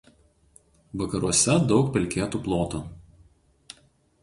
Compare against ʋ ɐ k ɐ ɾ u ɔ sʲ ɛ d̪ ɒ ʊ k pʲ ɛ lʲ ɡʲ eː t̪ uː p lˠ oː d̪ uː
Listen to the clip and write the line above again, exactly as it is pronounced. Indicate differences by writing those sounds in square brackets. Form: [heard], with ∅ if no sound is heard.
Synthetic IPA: ʋ ɐ k ɐ ɾ u ɔ sʲ ɛ d̪ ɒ ʊ k pʲ ɛ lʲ [kʲ] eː t̪ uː p lˠ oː [t̪] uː